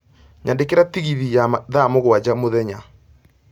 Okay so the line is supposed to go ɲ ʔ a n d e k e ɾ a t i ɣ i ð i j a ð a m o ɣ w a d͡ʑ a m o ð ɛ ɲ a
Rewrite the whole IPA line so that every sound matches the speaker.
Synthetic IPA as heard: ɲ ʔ a n d e k e ɾ a t i ɣ i ð i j a ð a m o ɣ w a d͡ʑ a m o ð ɛ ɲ a

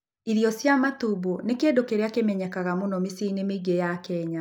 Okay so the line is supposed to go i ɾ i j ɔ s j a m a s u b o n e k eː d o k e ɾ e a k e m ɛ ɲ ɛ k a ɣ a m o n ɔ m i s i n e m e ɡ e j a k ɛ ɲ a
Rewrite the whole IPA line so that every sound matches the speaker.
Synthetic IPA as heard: i ɾ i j ɔ s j a m a t u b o n e k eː d o k e ɾ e a k e m ɛ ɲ ɛ k a ɣ a m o n ɔ m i s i n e m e ɡ e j a k ɛ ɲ a

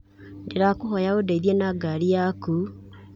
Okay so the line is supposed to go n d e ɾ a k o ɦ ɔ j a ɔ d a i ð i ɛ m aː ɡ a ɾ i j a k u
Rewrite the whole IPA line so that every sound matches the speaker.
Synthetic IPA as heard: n d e ɾ a k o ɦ ɔ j a o d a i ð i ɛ n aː ɡ a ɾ i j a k u

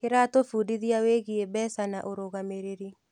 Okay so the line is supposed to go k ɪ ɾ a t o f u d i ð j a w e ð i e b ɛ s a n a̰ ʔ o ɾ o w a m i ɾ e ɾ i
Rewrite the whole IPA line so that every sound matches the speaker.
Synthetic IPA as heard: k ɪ ɾ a t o f u d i ð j a w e ɣ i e b ɛ s a n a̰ ʔ o ɾ o ɣ a m e ɾ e ɾ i

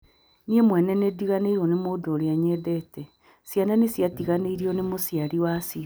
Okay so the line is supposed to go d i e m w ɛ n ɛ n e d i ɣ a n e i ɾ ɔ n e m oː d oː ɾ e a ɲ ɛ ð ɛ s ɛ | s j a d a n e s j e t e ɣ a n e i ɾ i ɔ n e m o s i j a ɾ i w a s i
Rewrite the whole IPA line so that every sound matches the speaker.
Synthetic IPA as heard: n i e m w ɛ n ɛ n e d i ɣ a n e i ɾ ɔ n e m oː d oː ɾ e a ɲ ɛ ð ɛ t ɛ | s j a n a n e s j a t i ɣ a n e i ɾ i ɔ n e m o s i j a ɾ i w a s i

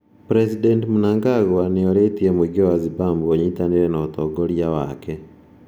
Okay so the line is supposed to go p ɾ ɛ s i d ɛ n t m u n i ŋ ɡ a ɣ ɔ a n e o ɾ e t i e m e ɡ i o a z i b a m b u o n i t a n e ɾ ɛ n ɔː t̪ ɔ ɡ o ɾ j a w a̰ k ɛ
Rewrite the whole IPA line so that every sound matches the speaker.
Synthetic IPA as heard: p ɾ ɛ s i d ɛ n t m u n a ŋ ɡ a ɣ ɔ a n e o ɾ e t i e m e ɡ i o a z i b a m b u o ɲ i t a n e ɾ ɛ n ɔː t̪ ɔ ɡ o ɾ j a w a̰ k ɛ

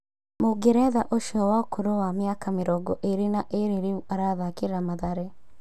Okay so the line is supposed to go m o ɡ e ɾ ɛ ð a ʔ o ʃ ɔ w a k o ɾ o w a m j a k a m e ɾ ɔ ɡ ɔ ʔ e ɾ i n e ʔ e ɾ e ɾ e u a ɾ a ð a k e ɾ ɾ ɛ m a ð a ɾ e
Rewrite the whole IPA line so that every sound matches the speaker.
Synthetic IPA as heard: m o ɡ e ɾ ɛ ð a ʔ o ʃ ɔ w a k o ɾ o w a m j a k a m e ɾ ɔ ɡ ɔ ʔ e ɾ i n a ʔ e ɾ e ɾ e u a ɾ a ð a k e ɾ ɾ a m a ð a ɾ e

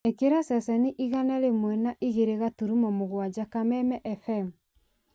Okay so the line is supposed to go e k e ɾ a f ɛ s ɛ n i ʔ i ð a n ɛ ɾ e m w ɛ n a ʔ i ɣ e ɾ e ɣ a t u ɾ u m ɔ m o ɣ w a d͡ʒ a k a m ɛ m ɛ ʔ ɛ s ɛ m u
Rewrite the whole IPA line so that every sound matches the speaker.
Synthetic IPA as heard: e k e ɾ a s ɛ s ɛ n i ʔ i ɣ a n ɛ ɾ e m w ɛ n a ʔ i ɣ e ɾ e ɣ a t u ɾ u m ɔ m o ɣ w a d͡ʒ a k a m ɛ m ɛ ʔ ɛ f ɛ m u

